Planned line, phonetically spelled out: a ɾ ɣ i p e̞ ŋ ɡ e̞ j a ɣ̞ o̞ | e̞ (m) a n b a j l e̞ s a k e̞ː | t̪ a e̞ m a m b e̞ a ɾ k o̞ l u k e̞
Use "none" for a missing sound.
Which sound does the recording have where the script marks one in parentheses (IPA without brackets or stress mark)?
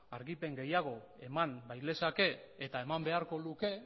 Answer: m